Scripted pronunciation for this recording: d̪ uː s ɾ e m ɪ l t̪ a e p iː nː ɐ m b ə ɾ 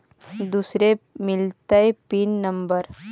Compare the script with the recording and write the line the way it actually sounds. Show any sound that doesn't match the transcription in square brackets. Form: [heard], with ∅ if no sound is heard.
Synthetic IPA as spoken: d̪ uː s ɾ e m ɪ l t̪ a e p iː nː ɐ m b ə ɾ

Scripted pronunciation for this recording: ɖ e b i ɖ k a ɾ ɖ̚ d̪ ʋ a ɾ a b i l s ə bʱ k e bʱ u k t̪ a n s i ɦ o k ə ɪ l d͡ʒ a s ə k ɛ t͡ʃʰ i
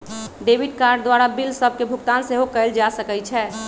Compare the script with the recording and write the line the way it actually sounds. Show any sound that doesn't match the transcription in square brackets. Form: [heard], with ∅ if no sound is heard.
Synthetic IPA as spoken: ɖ e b i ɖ k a ɾ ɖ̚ d̪ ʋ a ɾ a b i l s ə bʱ k e bʱ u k t̪ a n s [e] ɦ o k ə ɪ l d͡ʒ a s ə k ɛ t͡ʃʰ [ɛ]

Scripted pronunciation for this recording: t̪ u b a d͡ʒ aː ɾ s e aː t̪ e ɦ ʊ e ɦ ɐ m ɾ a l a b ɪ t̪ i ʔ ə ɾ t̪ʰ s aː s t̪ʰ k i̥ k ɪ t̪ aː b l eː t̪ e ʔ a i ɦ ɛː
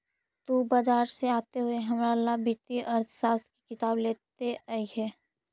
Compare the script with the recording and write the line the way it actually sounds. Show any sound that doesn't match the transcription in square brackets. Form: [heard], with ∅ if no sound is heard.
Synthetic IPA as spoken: t̪ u b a d͡ʒ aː ɾ s e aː t̪ e ɦ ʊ e ɦ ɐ m ɾ a l a b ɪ t̪ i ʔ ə ɾ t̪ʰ s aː s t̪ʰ k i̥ k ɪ t̪ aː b l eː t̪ e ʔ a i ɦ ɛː

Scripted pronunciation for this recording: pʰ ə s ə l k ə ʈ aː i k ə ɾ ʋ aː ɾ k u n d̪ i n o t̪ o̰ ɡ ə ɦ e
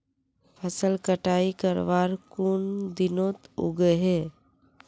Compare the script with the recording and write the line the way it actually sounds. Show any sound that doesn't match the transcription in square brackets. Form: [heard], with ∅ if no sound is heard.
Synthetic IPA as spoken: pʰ ə s ə l k ə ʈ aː i k ə ɾ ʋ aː ɾ k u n d̪ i n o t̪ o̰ ɡ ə ɦ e

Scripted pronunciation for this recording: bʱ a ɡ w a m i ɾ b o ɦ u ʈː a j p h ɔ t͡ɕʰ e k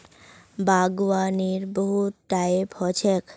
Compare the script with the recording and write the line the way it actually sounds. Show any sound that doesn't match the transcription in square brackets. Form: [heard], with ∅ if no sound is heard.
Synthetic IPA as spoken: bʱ a ɡ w a [n] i ɾ b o ɦ u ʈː a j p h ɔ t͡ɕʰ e k

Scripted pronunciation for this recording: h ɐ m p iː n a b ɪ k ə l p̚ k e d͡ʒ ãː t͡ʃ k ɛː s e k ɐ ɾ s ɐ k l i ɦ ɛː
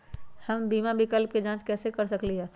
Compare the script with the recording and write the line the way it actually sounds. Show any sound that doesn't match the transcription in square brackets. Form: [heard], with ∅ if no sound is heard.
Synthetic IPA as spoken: h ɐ m [b] iː [m] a b ɪ k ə l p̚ k e d͡ʒ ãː t͡ʃ k ɛː s e k ɐ ɾ s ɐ k l i ɦ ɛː

